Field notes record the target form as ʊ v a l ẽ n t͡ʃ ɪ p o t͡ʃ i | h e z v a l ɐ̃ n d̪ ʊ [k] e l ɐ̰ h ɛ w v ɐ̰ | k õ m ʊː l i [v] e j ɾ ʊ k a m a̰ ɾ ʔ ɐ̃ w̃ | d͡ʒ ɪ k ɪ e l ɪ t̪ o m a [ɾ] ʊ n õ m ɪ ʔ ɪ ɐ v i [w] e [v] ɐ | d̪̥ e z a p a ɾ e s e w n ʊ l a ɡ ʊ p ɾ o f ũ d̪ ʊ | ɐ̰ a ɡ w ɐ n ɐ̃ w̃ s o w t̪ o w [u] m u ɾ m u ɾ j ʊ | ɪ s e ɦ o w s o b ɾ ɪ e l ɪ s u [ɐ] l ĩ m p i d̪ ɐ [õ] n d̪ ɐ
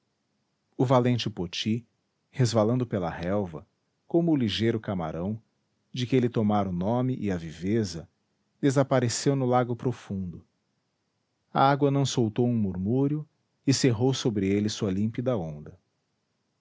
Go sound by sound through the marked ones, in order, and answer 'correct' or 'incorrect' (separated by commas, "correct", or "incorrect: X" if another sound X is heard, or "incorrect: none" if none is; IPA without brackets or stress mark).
incorrect: p, incorrect: ʒ, correct, incorrect: v, incorrect: z, incorrect: ũ, correct, correct